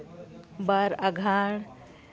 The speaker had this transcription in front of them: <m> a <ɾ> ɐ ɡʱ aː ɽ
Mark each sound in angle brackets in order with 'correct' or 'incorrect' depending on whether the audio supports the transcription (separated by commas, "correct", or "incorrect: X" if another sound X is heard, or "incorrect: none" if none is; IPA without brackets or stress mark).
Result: incorrect: b, correct